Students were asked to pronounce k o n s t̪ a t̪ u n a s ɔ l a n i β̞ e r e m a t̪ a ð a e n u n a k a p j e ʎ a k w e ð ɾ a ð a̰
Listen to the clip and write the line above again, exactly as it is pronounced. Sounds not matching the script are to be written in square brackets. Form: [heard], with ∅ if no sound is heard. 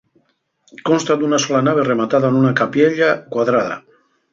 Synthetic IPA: k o n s t̪ a [d̪] u n a s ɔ l a n [a] β̞ e r e m a t̪ a ð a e n u n a k a p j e ʎ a k w [a] ð ɾ a ð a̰